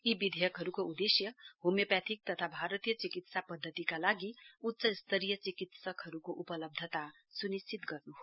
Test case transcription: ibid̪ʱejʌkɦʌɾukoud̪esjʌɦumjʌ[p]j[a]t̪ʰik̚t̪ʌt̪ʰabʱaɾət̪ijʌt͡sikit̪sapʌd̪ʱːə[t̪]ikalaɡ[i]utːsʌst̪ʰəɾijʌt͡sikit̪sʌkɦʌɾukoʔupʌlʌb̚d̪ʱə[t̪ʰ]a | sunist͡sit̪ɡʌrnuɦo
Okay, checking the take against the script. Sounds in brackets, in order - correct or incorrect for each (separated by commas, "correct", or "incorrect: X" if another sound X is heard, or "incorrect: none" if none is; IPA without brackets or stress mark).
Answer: correct, correct, correct, correct, incorrect: t̪